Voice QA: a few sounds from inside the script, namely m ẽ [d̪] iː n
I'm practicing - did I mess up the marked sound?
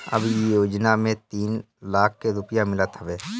yes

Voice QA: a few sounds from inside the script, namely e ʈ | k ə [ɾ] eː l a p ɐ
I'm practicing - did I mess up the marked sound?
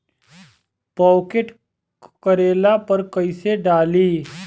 no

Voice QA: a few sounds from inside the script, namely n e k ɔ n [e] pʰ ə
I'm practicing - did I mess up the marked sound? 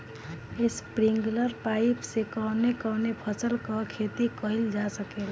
no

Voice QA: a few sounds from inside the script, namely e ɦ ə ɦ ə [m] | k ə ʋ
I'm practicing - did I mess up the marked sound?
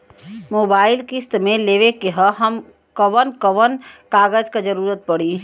no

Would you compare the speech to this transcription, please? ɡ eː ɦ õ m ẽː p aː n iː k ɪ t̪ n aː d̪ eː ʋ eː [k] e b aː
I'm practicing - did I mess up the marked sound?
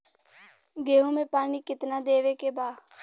no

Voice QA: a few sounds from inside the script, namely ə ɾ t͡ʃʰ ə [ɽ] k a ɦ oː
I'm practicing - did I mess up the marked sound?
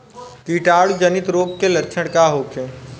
no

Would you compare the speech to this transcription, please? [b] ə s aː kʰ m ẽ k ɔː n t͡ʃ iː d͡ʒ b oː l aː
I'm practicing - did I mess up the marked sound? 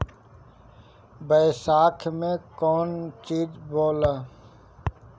no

